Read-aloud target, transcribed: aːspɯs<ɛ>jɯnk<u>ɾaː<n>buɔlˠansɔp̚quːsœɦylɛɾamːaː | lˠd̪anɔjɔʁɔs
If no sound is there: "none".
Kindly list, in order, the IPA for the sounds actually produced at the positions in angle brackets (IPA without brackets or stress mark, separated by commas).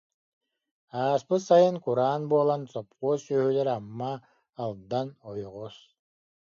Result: a, u, n